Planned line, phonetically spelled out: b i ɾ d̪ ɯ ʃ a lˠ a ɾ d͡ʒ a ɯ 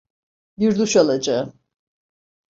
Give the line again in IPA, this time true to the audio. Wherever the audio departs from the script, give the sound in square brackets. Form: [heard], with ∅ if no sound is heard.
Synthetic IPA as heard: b i ɾ d̪ [u] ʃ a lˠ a [∅] d͡ʒ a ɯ